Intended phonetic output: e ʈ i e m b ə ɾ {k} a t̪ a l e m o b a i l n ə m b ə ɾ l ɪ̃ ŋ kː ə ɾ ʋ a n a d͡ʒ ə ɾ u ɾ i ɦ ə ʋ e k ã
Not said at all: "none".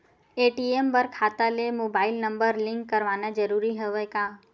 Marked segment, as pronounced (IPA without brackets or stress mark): kʰ